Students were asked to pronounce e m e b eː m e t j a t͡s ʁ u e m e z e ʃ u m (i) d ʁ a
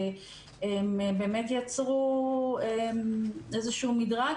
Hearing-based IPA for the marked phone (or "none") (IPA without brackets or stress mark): i